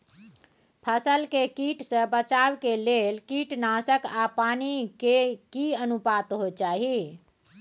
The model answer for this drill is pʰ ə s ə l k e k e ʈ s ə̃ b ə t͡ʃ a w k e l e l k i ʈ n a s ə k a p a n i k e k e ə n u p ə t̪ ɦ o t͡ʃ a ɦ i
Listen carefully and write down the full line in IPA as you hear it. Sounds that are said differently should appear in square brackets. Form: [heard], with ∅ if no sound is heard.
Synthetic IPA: pʰ ə s ə l k e k [i] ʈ s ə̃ b ə t͡ʃ a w k e l e l k i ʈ n a s ə k a p a n i k e k [i] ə n u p [a] t̪ ɦ o t͡ʃ a ɦ i